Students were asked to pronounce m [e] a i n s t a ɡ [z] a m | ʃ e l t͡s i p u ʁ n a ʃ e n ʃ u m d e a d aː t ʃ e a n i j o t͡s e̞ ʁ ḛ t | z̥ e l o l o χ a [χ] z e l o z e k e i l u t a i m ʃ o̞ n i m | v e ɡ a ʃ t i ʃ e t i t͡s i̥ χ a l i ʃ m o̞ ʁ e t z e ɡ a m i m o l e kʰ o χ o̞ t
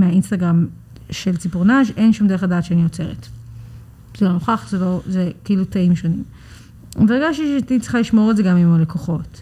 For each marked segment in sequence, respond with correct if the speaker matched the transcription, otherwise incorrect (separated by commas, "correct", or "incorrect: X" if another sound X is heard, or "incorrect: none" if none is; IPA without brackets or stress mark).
correct, incorrect: ʁ, correct